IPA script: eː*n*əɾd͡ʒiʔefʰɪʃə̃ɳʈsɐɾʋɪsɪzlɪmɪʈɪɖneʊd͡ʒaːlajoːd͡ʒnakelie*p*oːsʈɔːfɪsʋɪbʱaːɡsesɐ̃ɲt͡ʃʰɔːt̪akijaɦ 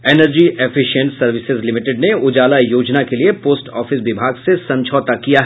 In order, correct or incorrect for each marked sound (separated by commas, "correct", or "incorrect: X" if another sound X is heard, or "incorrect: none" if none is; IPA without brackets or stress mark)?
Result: correct, correct